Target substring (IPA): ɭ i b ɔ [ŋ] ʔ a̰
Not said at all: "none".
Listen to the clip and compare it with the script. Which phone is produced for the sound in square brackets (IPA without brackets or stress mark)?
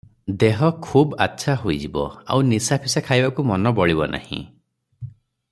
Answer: n